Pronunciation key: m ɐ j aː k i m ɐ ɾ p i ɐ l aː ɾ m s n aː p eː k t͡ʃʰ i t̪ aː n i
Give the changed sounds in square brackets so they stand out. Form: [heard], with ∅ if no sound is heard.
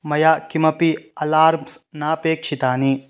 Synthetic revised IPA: m ɐ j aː k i m ɐ [∅] p i ɐ l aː ɾ m s n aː p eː k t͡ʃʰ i t̪ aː n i